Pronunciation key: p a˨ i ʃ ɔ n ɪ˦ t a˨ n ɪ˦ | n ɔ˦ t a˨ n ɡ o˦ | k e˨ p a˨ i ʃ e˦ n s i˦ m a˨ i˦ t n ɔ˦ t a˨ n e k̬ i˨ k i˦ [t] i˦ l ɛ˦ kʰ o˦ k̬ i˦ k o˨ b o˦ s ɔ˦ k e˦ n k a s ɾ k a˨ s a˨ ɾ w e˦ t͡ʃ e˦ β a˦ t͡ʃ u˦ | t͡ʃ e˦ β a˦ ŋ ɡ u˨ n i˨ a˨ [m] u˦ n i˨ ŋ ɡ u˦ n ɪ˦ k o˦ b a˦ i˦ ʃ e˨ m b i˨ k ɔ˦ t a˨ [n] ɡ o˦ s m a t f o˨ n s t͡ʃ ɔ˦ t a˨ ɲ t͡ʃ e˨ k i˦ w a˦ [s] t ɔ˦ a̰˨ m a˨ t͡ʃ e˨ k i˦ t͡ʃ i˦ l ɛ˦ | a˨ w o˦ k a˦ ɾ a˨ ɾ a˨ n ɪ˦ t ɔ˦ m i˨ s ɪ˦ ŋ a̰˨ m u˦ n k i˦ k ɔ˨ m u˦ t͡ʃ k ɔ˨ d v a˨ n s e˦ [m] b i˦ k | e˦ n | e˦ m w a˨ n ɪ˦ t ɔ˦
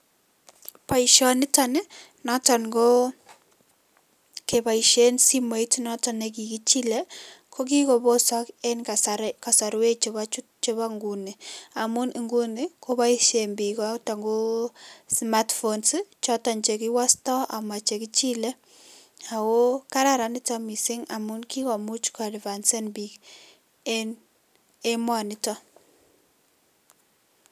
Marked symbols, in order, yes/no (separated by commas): no, yes, no, yes, no